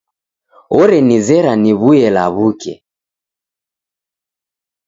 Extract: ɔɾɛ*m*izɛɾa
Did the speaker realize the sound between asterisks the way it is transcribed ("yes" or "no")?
no